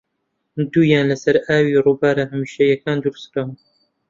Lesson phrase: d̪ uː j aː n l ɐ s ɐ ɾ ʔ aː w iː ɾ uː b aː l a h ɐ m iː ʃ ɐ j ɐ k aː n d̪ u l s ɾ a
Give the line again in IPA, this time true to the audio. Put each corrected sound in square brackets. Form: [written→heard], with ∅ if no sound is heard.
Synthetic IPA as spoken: d̪ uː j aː n l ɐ s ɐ ɾ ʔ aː w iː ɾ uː b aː [l→ɾ] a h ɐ m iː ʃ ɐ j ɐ k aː n d̪ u [l→ɾ] s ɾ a